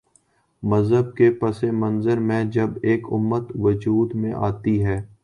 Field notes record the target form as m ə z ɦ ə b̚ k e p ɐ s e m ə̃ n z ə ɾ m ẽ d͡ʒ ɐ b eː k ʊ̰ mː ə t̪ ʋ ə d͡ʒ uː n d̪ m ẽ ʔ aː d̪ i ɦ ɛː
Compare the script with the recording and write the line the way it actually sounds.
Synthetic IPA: m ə z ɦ ə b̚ k e p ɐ s e m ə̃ n z ə ɾ m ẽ d͡ʒ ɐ b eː k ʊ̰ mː ə t̪ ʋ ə d͡ʒ uː d̪ m ẽ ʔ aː t̪ i ɦ ɛː